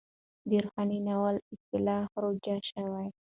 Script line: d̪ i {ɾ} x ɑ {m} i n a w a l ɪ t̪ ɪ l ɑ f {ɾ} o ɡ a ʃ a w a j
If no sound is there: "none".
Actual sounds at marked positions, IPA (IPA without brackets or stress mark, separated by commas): ɾ, n, ɾ